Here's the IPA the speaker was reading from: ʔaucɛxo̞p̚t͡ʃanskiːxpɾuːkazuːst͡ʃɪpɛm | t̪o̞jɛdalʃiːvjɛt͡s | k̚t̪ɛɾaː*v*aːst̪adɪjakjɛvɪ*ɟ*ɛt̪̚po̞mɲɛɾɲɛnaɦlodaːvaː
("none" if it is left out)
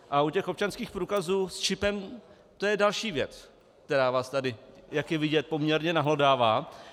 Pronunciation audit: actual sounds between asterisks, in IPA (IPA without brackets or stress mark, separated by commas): v, ɟ